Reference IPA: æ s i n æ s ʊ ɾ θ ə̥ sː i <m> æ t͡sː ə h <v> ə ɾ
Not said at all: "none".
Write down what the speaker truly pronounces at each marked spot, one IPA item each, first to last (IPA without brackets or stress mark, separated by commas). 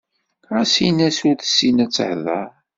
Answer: n, ð